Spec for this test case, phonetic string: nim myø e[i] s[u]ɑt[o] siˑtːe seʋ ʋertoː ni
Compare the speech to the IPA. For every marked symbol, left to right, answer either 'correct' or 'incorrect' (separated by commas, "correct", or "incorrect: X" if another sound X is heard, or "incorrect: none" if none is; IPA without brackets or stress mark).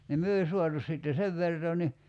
correct, correct, incorrect: u